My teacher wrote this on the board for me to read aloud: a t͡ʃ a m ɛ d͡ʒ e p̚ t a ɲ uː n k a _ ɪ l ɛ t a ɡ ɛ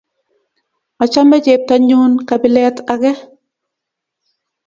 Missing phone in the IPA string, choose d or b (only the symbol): b